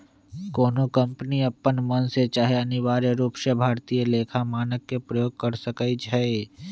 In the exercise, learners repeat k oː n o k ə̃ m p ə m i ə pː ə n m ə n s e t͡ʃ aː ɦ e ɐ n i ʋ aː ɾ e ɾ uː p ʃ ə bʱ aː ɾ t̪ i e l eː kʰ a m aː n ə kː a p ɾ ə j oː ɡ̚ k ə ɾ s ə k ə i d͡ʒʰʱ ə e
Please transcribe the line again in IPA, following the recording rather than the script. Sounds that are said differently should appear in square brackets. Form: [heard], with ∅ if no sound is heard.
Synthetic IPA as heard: k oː n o k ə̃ m p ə [n] i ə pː ə n m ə n s e t͡ʃ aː ɦ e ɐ n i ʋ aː ɾ e ɾ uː p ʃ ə bʱ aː ɾ t̪ i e l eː kʰ a m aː n ə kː [e] p ɾ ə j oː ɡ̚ k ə ɾ s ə k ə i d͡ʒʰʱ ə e